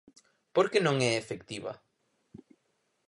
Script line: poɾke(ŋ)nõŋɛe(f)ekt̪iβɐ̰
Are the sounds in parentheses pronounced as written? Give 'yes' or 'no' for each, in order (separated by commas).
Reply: no, yes